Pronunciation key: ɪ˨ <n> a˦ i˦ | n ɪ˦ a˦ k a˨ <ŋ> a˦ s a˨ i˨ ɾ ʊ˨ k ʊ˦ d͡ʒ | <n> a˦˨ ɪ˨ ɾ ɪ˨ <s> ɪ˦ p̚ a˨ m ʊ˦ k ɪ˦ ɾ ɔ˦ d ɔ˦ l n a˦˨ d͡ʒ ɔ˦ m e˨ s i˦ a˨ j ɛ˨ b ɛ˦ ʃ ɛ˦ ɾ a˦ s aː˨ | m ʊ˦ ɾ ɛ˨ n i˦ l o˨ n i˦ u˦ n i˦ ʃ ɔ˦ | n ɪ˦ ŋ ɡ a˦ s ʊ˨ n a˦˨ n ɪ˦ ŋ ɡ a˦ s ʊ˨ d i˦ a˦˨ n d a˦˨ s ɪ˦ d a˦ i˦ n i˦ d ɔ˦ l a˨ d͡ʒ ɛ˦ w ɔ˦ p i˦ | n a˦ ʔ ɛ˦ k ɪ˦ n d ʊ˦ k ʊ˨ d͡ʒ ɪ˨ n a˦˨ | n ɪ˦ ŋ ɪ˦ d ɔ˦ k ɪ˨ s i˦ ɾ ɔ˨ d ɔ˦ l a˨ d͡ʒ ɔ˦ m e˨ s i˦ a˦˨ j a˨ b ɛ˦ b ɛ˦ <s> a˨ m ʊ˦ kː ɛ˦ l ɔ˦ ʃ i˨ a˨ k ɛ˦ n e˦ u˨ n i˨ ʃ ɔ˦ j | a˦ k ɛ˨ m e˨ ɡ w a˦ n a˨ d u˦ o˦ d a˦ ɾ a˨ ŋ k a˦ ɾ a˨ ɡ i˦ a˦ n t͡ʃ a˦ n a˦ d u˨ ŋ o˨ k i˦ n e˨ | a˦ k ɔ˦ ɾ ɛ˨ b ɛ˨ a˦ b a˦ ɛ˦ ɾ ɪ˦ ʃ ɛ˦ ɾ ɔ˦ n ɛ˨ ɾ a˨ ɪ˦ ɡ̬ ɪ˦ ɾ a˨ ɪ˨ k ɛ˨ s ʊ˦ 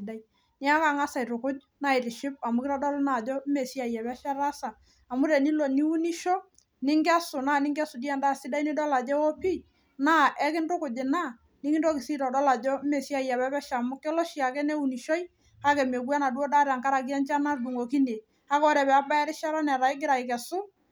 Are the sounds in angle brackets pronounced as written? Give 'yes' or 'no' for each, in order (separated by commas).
no, yes, yes, no, no